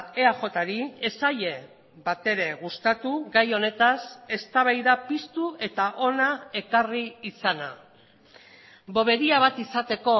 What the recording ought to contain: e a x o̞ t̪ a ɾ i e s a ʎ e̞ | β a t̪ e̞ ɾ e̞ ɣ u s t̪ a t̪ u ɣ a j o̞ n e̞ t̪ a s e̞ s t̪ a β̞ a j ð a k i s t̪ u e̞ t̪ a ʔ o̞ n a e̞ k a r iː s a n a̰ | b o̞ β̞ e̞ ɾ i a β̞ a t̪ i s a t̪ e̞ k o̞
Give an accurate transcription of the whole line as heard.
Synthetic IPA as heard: e a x o̞ t̪ a ɾ i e s a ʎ e̞ | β a t̪ e̞ ɾ e̞ ɣ u s t̪ a t̪ u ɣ a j o̞ n e̞ t̪ a s e̞ s t̪ a β̞ a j ð a p i s t̪ u e̞ t̪ a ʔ o̞ n a e̞ k a r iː s a n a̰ | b o̞ β̞ e̞ ɾ i a β̞ a t̪ i s a t̪ e̞ k o̞

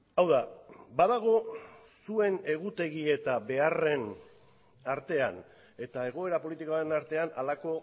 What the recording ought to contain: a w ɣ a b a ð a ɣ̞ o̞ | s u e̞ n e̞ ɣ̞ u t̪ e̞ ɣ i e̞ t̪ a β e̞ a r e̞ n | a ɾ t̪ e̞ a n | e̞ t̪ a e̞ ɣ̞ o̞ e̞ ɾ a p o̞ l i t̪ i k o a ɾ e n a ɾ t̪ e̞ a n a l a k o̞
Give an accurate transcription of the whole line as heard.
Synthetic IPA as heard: a w ð a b a ð a ɣ̞ o̞ | s u e̞ n e̞ ɣ̞ u t̪ e̞ ɣ i e̞ t̪ a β e̞ a r e̞ n | a ɾ t̪ e̞ a n | e̞ t̪ a e̞ ɣ̞ o̞ e̞ ɾ a p o̞ l i t̪ i k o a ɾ e n a ɾ t̪ e̞ a n a l a k o̞

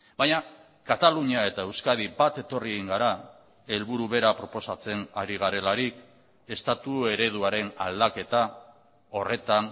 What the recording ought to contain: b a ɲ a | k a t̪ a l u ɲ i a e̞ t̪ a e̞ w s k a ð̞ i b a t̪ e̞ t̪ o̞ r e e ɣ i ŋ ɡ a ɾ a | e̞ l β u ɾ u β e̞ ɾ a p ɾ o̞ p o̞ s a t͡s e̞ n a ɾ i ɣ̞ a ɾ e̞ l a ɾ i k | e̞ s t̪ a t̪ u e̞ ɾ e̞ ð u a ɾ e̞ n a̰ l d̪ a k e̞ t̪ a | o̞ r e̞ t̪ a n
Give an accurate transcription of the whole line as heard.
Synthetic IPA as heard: b a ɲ a | k a t̪ a l u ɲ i a e̞ t̪ a e̞ w s k a ð̞ i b a t̪ e̞ t̪ o̞ r i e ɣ i ŋ ɡ a ɾ a | e̞ l β u ɾ u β e̞ ɾ a p ɾ o̞ p o̞ s a t͡s e̞ n a ɾ i ɣ̞ a ɾ e̞ l a ɾ i k | e̞ s t̪ a t̪ u e̞ ɾ e̞ ð u a ɾ e̞ n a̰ l d̪ a k e̞ t̪ a | o̞ r e̞ t̪ a n

